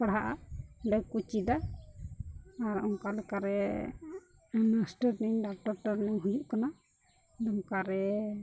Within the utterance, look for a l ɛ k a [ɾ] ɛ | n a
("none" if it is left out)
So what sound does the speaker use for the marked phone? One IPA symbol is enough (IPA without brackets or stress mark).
ɾ